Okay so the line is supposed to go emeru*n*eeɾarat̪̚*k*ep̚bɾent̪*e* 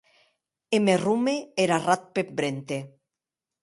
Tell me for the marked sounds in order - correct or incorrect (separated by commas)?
incorrect, incorrect, correct